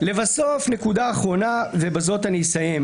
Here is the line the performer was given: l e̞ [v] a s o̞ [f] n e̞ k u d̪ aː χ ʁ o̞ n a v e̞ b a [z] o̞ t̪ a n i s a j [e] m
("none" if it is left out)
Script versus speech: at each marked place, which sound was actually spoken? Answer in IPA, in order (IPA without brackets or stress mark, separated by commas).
v, f, z, e